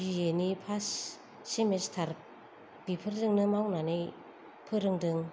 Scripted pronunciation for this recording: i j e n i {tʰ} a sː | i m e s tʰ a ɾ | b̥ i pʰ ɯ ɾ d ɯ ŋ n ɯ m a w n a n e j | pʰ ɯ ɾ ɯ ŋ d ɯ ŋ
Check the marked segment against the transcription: incorrect: pʰ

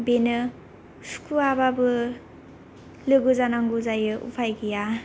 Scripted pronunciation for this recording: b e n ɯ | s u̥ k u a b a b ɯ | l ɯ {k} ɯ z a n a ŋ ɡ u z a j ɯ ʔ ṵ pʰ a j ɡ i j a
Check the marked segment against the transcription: incorrect: ɡ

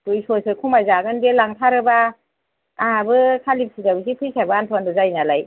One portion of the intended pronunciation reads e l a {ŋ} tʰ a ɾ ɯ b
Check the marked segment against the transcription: correct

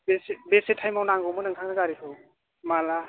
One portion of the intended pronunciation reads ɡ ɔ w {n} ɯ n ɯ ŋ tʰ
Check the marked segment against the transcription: incorrect: m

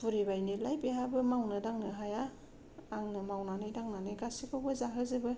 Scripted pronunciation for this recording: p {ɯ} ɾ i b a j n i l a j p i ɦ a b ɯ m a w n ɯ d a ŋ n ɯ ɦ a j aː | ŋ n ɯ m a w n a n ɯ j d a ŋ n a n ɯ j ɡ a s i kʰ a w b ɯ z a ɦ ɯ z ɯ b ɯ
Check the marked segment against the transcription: incorrect: u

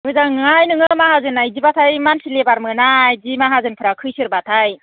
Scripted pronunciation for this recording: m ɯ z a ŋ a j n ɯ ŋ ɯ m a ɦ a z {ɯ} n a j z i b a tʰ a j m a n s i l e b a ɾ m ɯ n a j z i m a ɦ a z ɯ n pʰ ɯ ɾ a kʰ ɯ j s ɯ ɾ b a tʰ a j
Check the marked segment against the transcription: correct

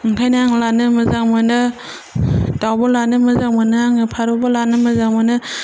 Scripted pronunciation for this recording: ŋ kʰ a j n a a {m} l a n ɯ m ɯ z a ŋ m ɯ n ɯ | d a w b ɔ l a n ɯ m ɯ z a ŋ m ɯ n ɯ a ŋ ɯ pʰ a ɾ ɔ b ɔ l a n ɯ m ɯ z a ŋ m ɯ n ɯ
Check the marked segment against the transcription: incorrect: ŋ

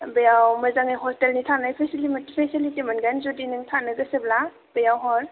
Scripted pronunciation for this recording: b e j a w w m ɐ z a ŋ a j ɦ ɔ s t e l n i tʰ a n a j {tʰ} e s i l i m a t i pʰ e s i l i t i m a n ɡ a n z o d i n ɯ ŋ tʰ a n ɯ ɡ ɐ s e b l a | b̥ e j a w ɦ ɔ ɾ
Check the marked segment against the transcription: incorrect: pʰ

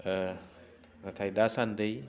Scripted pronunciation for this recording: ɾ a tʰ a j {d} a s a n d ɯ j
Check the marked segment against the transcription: correct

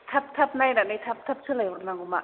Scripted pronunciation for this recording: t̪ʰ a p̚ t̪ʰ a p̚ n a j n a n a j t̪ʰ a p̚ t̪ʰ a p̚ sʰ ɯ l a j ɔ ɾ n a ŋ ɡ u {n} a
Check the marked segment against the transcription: incorrect: m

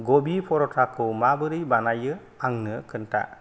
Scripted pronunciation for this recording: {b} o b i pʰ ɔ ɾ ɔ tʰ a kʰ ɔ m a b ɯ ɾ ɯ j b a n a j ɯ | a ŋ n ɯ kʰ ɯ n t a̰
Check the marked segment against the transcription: incorrect: ɡ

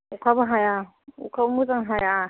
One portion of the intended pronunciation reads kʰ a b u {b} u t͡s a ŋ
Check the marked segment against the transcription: incorrect: m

